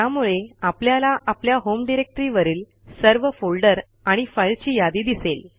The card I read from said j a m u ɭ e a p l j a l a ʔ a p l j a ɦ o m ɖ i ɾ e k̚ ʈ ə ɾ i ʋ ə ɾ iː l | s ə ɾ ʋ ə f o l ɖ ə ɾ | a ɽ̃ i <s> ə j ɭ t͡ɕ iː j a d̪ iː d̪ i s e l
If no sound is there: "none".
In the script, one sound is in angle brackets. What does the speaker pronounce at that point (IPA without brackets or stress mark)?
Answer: f